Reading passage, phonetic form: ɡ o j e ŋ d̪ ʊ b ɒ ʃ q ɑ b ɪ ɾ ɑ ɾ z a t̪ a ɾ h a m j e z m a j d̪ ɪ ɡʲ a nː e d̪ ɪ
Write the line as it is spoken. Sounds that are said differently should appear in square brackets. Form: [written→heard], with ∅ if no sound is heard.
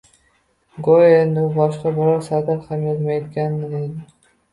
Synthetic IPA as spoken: ɡ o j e [ŋ→n] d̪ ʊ b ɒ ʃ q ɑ b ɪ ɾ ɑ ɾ [z→s] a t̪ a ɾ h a m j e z m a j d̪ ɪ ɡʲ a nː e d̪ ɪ